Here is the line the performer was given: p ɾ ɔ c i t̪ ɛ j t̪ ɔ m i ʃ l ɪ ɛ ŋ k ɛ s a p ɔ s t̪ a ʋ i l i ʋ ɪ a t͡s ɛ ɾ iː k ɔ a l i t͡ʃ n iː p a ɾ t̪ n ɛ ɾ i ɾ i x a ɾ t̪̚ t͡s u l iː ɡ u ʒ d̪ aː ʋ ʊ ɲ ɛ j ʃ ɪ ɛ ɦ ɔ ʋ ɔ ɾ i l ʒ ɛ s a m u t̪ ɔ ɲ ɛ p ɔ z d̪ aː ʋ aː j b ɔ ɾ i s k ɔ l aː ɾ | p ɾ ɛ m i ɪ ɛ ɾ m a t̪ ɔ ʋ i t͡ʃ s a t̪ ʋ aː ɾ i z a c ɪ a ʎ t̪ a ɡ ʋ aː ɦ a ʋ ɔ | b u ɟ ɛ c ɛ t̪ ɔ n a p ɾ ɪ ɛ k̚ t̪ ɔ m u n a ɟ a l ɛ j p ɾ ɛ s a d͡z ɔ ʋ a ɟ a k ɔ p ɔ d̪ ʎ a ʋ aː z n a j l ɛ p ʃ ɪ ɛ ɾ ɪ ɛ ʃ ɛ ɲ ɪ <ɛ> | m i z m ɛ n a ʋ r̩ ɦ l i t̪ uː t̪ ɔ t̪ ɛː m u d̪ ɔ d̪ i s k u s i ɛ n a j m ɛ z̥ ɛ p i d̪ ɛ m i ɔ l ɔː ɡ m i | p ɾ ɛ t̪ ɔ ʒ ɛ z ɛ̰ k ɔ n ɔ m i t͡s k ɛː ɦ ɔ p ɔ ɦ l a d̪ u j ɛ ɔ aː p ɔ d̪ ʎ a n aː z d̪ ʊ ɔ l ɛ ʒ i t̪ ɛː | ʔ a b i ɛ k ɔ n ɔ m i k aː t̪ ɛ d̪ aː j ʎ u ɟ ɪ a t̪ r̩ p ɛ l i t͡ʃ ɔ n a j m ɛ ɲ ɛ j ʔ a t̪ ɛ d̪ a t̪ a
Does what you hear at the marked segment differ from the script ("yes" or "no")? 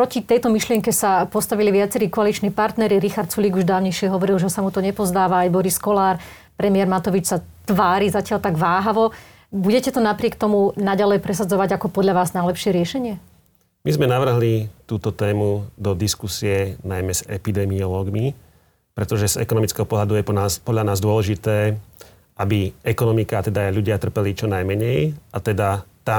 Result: no